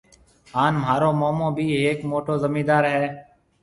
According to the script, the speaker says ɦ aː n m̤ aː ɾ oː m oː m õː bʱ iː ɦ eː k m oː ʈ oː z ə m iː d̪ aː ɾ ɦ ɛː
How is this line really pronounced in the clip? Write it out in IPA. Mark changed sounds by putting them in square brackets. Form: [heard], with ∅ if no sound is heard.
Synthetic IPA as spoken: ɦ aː n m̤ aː ɾ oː m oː m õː bʱ iː ɦ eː k m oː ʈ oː z ə m iː d̪ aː ɾ ɦ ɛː